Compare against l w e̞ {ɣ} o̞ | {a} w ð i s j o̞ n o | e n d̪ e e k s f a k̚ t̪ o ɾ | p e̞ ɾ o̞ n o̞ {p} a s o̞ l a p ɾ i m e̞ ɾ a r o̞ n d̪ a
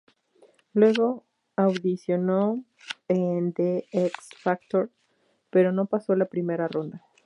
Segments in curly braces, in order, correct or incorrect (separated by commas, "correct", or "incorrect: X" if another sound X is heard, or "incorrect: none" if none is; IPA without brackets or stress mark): correct, correct, correct